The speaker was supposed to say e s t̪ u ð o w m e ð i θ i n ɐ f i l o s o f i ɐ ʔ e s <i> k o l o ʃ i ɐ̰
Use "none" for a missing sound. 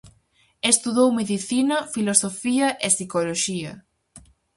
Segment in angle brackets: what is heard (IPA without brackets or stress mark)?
i